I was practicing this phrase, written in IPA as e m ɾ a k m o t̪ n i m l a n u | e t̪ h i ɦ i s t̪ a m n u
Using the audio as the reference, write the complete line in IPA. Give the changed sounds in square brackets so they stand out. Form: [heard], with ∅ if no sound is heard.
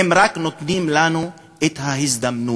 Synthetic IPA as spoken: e m ɾ a k [n] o t̪ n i m l a n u | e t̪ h [a] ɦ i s [d̪] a m n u